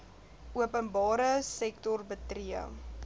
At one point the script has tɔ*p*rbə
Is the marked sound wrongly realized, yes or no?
yes